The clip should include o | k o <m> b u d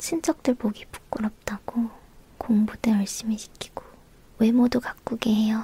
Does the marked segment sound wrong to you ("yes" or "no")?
yes